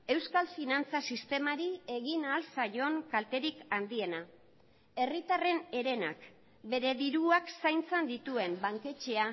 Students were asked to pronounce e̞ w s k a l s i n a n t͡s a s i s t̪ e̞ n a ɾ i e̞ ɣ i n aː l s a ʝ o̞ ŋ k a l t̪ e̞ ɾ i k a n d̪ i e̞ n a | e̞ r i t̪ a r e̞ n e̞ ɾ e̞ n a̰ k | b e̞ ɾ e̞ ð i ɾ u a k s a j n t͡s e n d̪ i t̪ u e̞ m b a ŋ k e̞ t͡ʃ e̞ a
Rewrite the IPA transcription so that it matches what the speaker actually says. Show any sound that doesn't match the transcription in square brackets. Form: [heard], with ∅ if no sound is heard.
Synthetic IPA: e̞ w s k a l [f] i n a n t͡s a s i s t̪ e̞ [m] a ɾ i e̞ ɣ i n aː l s a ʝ o̞ ŋ k a l t̪ e̞ ɾ i k a n d̪ i e̞ n a | e̞ r i t̪ a r e̞ n e̞ ɾ e̞ n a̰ k | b e̞ ɾ e̞ ð i ɾ u a k s a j n t͡s e n d̪ i t̪ u e̞ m b a ŋ k e̞ t͡ʃ e̞ a